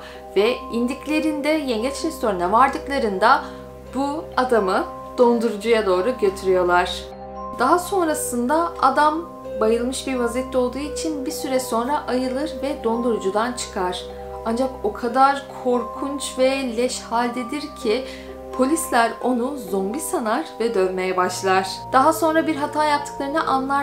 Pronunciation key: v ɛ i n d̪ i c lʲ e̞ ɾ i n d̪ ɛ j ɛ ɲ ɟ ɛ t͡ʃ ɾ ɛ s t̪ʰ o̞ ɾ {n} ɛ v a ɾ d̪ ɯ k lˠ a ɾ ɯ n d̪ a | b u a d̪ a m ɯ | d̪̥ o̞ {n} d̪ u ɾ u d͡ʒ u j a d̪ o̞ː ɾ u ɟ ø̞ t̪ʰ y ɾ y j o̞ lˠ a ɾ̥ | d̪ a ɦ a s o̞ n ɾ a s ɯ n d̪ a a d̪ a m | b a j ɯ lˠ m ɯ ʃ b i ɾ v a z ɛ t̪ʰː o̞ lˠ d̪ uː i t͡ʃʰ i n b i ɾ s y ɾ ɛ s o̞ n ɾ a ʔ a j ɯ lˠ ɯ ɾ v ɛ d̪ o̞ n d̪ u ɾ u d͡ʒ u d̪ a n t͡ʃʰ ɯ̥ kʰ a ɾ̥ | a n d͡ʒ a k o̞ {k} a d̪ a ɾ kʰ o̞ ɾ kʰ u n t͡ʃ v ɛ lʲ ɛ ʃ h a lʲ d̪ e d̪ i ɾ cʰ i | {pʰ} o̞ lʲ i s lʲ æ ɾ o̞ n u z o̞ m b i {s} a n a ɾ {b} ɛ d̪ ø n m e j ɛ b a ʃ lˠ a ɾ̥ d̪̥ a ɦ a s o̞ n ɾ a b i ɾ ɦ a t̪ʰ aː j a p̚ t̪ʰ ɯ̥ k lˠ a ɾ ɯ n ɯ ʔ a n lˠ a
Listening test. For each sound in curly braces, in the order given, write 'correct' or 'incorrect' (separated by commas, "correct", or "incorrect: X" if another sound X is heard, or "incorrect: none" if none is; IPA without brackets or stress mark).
correct, correct, incorrect: kʰ, correct, correct, incorrect: v